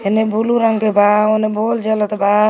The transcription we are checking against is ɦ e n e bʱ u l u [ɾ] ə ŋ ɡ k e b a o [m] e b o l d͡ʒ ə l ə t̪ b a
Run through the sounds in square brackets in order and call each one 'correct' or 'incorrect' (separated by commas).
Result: correct, incorrect